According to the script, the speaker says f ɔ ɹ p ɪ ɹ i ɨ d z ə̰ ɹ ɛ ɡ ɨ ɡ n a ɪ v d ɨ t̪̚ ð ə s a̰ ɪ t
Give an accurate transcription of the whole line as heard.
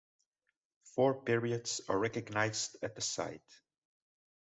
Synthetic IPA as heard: f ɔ ɹ p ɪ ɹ i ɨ d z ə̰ ɹ ɛ k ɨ ɡ n a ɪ z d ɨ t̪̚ ð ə s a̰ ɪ t